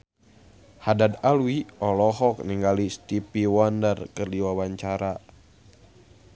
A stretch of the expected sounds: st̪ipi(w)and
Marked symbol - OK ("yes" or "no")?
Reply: yes